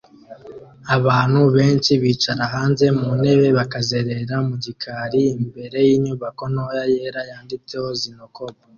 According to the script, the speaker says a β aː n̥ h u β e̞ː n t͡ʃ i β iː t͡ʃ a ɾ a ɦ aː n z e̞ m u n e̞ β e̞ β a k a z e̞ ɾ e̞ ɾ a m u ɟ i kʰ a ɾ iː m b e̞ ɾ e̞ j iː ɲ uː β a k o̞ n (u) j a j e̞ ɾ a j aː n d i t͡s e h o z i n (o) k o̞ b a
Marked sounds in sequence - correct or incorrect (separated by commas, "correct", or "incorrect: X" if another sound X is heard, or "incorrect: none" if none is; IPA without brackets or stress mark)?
incorrect: o, correct